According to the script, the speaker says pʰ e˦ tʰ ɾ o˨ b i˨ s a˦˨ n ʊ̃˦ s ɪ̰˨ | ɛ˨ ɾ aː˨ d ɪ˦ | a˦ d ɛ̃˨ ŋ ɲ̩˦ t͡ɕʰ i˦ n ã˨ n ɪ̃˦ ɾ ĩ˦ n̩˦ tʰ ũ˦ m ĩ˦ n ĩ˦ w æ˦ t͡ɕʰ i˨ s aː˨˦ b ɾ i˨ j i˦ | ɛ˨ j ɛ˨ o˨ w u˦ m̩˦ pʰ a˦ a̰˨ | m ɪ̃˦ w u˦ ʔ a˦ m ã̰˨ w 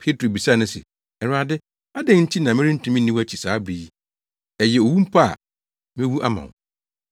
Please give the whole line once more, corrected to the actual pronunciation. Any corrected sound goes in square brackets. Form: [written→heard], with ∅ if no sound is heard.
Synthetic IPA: pʰ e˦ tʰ ɾ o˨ b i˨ s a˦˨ n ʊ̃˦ s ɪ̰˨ | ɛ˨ ɾ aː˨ d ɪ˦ | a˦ d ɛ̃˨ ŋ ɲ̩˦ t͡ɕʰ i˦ n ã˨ [n→m] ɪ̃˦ ɾ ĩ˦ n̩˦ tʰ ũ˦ m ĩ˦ n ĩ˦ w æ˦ t͡ɕʰ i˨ s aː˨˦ b ɾ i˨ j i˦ | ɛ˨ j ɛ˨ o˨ w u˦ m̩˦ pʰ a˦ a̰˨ | m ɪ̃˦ w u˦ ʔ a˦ m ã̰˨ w